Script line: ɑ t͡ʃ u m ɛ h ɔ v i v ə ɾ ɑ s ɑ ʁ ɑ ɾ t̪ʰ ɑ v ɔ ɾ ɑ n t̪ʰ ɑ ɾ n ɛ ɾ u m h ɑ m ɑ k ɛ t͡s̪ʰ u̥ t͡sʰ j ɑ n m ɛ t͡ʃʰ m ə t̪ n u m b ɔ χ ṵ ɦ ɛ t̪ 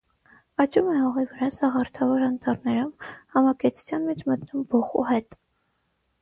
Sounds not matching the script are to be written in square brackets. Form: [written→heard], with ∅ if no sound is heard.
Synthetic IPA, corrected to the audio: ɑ t͡ʃ u m ɛ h ɔ [v→ʁ] i v ə ɾ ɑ s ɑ ʁ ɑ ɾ t̪ʰ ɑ v ɔ ɾ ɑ n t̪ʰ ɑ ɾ n ɛ ɾ u m h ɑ m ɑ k ɛ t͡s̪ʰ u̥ t͡sʰ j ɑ n m ɛ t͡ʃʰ m ə t̪ n u m b ɔ χ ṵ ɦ ɛ t̪